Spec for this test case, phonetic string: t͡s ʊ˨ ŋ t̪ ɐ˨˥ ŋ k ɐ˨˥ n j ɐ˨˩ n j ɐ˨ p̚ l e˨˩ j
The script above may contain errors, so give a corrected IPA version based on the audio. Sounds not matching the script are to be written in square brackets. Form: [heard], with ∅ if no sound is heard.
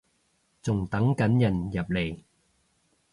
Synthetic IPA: t͡s ʊ˨ ŋ t̪ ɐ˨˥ ŋ k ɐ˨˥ n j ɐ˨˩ n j ɐ˨ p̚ l e˨˩ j